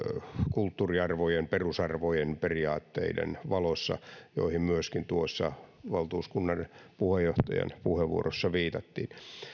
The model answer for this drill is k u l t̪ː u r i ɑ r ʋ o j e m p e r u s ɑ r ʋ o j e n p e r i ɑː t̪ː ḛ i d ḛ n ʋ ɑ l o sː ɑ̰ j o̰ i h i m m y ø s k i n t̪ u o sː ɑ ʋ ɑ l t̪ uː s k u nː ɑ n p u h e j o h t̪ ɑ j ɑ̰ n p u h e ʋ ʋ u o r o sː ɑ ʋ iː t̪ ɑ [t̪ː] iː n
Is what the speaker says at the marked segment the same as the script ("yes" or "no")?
yes